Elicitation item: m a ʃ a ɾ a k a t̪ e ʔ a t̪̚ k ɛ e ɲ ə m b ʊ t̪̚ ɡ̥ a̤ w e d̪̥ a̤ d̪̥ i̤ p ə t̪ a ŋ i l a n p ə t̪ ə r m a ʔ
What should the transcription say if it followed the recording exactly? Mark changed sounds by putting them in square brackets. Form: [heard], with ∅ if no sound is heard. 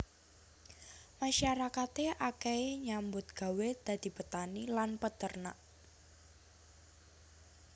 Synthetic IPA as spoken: m a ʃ a ɾ a k a t̪ e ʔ a [∅] k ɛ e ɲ [a] m b ʊ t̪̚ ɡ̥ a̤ w e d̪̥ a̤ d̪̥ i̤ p ə t̪ a [n] i l a n p ə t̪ ə r [n] a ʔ